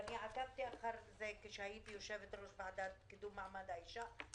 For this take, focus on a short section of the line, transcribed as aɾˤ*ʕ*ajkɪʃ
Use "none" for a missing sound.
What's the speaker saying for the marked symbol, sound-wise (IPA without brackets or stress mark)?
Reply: z